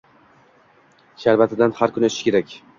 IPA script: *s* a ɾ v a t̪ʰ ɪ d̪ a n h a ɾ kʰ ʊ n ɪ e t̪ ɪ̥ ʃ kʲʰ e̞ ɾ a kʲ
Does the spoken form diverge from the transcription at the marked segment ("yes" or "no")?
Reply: yes